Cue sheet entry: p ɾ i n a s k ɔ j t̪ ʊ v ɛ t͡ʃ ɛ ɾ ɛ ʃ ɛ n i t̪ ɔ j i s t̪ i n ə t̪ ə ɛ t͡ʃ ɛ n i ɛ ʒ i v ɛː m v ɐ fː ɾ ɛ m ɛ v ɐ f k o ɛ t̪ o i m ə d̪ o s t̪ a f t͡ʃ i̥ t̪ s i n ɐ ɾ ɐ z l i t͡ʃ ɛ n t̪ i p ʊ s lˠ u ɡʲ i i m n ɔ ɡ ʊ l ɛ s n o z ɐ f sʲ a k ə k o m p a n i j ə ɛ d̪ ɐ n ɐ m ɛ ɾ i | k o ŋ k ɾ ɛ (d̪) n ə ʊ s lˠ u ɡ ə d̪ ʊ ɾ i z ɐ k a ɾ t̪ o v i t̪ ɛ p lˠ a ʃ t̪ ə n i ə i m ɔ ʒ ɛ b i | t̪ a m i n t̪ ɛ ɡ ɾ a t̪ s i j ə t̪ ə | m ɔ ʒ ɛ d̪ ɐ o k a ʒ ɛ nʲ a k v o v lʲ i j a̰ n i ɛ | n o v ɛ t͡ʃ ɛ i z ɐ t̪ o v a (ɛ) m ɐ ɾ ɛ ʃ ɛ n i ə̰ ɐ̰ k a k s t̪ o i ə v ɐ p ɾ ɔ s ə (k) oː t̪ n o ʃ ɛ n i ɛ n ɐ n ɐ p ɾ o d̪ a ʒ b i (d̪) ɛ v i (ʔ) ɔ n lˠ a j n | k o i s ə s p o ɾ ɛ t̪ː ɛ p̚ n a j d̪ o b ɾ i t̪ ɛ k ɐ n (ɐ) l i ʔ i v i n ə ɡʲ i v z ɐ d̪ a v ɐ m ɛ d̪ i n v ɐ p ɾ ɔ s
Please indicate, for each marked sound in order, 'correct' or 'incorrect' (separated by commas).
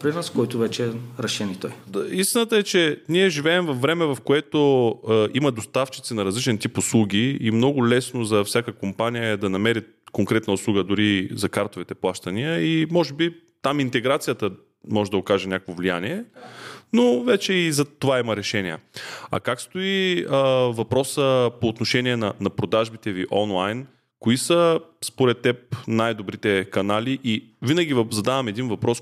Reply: incorrect, incorrect, incorrect, incorrect, correct, incorrect